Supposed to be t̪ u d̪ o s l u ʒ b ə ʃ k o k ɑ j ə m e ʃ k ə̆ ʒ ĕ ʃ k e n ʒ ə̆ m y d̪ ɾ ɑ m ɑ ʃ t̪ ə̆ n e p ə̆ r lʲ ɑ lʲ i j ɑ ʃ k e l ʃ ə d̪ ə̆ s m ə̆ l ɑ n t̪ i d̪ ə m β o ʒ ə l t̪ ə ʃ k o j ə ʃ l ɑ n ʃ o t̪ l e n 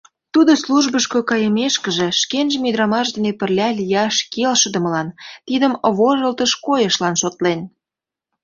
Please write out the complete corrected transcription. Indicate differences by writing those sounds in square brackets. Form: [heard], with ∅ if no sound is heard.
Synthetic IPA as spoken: t̪ u d̪ o s l u ʒ b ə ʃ k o k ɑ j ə m e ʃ k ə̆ ʒ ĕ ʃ k e n ʒ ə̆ m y d̪ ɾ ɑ m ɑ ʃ [d̪] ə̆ n e p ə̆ r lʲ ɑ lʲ i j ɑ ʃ k e l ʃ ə d̪ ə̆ [∅] m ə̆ l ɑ n t̪ i d̪ ə m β o ʒ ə l t̪ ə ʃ k o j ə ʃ l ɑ n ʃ o t̪ l e n